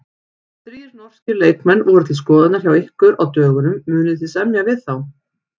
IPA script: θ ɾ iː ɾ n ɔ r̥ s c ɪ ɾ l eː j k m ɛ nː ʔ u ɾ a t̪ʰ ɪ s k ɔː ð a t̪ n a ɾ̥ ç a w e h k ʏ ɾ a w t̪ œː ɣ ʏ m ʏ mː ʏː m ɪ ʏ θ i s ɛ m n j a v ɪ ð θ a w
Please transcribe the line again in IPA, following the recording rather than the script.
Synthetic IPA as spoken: θ ɾ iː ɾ n ɔ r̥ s c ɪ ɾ l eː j k m ɛ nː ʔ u ɾ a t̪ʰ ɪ s k ɔː ð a t̪ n a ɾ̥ ç a w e h k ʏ ɾ a w t̪ œː ɣ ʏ n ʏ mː ʏː n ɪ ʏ θ i s ɛ m n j a v ɪ ð θ a w